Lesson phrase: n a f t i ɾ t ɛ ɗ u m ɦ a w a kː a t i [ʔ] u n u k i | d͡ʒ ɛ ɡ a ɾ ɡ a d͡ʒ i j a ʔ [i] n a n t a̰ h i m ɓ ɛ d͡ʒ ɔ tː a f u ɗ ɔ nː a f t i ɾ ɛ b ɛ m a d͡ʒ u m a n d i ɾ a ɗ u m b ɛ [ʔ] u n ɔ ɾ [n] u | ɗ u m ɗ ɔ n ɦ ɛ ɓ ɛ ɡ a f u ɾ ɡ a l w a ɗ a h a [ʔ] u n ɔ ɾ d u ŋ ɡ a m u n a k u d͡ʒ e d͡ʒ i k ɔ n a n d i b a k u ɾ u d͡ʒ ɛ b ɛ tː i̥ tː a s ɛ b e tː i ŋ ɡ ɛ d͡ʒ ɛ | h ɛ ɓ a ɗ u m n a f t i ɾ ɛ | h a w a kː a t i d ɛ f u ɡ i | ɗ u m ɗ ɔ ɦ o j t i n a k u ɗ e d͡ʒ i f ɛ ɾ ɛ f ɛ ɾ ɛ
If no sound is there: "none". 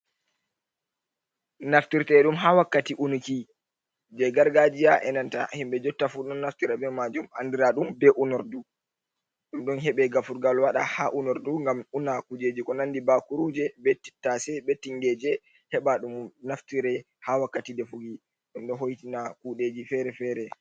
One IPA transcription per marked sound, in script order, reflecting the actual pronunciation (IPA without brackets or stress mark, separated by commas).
ʔ, ɛ, ʔ, d, ʔ